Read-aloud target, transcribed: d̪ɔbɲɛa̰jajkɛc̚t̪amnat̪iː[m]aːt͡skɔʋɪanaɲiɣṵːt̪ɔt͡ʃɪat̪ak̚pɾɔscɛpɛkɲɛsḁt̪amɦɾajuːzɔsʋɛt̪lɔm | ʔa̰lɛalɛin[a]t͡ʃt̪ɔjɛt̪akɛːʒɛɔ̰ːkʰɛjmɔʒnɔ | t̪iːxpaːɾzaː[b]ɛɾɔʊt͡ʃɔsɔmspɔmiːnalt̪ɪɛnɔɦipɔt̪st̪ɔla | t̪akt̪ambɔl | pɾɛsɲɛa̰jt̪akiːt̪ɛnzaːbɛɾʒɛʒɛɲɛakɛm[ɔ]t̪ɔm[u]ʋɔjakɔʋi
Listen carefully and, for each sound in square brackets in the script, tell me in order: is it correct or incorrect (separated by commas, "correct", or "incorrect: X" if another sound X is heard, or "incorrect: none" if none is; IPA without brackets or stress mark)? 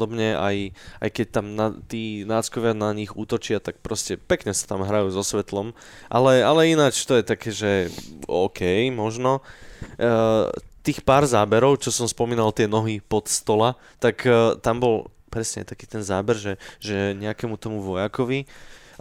incorrect: n, correct, correct, incorrect: u, correct